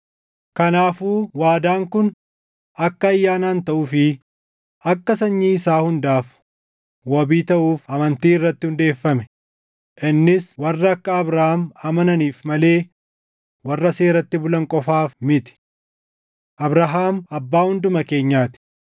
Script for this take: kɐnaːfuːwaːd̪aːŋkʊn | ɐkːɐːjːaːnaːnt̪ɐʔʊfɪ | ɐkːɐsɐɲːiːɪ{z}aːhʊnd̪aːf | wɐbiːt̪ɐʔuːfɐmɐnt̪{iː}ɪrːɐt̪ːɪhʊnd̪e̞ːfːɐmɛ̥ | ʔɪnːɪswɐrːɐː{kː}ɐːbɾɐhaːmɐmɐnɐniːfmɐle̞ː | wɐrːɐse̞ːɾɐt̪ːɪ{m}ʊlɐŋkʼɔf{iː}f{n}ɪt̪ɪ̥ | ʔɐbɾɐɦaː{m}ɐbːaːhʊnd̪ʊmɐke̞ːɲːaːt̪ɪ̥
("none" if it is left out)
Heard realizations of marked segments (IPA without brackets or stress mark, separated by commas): s, iː, kː, b, aː, m, m